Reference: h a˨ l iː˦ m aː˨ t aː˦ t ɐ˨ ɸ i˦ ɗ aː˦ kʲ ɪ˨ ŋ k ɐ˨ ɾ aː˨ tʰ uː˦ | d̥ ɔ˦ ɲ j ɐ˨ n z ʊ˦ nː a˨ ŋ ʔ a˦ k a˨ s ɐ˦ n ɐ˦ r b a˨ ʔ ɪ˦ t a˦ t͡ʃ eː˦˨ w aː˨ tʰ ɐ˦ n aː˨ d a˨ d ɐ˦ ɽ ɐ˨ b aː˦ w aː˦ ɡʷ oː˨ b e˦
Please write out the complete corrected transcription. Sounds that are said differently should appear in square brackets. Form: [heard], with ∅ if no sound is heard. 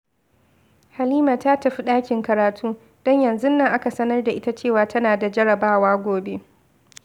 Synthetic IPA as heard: h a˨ l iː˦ m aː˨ t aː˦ t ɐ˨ ɸ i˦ ɗ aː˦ kʲ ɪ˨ ŋ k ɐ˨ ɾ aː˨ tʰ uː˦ | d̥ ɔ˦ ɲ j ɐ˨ n z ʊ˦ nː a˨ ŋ ʔ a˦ k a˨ s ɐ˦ n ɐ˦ r [d] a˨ ʔ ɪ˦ t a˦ t͡ʃ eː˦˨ w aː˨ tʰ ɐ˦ n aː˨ d a˨ [d͡ʒ] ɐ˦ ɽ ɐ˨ b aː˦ w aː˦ ɡʷ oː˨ b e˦